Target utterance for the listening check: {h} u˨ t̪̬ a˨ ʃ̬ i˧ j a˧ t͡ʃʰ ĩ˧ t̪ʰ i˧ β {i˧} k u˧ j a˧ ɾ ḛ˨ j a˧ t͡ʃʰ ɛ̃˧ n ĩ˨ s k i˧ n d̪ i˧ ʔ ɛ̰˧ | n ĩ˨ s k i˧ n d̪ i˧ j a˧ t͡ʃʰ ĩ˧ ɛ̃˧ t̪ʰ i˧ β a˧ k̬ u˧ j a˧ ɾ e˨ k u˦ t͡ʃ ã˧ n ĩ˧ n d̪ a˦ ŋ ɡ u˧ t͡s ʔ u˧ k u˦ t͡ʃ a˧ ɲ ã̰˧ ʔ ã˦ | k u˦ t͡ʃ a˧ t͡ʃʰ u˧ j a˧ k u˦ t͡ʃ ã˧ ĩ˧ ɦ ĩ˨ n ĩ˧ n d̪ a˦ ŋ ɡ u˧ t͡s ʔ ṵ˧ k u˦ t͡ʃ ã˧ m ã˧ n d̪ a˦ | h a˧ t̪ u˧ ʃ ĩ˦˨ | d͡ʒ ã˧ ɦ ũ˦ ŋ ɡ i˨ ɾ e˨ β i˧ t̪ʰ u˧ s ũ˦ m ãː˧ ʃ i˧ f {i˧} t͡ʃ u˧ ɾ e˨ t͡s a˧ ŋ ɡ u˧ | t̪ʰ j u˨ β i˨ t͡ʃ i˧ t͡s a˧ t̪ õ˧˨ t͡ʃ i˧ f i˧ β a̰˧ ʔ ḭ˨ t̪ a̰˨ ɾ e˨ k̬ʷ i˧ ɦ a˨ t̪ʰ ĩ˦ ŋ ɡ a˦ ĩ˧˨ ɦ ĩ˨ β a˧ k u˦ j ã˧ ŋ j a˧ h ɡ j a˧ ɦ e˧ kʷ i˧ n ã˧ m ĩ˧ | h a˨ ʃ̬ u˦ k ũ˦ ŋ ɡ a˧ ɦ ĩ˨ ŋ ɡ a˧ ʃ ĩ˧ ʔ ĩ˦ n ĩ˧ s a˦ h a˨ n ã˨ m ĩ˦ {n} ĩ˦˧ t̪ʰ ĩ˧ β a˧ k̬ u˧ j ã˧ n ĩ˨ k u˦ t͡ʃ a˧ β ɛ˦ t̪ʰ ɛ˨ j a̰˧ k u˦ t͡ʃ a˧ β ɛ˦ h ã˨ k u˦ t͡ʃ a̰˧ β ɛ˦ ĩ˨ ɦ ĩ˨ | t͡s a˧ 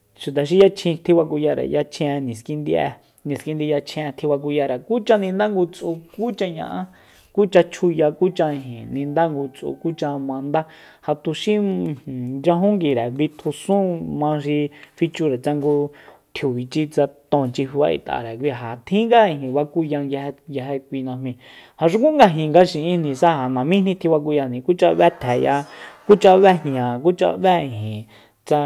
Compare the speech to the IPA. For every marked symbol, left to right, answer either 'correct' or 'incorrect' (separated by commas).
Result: incorrect, incorrect, correct, correct